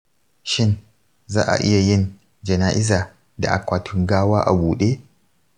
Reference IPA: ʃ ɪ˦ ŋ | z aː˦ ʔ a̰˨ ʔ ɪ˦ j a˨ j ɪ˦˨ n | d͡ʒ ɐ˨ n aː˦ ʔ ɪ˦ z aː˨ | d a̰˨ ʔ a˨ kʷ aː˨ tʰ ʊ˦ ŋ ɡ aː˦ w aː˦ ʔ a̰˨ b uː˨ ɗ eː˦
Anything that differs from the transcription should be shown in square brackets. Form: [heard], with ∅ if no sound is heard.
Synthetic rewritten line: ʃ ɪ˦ [n] | z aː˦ ʔ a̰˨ ʔ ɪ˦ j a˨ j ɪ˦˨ n | d͡ʒ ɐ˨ n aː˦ ʔ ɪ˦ z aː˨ | d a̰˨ ʔ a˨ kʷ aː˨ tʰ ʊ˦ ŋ ɡ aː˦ w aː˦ ʔ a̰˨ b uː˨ ɗ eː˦